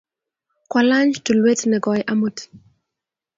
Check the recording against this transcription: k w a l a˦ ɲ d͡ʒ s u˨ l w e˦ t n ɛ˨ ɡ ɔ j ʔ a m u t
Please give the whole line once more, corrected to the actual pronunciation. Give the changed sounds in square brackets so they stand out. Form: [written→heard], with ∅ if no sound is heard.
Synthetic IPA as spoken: k w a l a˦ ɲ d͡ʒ [s→t] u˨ l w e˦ t n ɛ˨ ɡ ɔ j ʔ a m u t